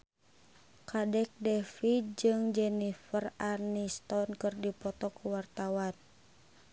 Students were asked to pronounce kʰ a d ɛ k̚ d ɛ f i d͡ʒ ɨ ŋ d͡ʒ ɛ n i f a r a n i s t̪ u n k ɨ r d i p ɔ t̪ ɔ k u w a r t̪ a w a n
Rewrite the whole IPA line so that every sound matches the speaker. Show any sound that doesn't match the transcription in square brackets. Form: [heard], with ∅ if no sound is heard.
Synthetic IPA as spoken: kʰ a d ɛ k̚ d ɛ f i d͡ʒ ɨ ŋ d͡ʒ ɛ n i f [ə] r a n i s t̪ [ɔ] n k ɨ r d i p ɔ t̪ ɔ k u w a r t̪ a w a n